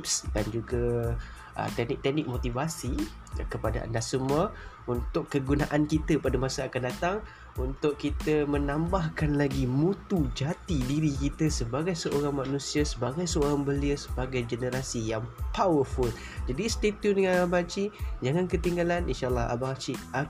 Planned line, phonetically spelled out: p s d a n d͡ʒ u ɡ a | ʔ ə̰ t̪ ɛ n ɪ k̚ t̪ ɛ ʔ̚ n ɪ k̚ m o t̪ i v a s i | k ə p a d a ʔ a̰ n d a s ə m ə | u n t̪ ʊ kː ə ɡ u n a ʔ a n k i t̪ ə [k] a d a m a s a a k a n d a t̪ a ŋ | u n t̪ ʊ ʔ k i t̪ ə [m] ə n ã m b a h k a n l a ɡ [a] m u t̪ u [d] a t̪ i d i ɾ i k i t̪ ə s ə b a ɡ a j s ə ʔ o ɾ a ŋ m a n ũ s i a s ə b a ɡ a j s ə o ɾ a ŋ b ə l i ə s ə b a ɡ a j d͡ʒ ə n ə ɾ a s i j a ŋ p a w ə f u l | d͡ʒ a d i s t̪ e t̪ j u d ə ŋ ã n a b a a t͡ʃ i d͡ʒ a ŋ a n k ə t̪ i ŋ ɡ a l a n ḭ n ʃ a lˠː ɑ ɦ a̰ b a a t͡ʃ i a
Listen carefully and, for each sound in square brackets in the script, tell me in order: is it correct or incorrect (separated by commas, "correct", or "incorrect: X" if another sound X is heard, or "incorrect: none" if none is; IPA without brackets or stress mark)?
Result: incorrect: p, correct, incorrect: i, incorrect: d͡ʒ